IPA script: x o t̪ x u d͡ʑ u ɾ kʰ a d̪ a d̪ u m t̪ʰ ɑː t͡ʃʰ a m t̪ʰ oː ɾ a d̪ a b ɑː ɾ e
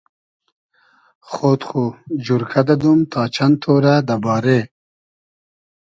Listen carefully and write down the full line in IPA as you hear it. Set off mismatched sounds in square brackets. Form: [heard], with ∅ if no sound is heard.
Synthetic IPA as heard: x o t̪ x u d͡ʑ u ɾ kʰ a d̪ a d̪ u m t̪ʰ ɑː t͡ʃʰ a [n] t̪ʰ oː ɾ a d̪ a b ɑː ɾ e